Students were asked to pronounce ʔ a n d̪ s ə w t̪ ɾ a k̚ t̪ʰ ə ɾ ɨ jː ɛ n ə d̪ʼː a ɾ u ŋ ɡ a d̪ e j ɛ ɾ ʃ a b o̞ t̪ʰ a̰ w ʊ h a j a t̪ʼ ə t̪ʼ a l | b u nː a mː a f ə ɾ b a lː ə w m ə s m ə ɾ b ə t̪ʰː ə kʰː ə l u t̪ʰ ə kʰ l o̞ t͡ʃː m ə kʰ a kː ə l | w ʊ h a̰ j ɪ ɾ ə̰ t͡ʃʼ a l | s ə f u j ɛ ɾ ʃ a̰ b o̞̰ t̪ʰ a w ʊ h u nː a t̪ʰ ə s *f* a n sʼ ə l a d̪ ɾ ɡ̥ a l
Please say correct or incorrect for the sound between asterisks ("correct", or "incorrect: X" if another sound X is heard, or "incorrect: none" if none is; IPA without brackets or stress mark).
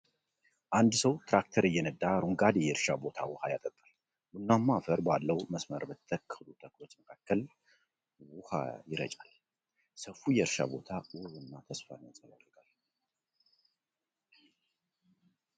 correct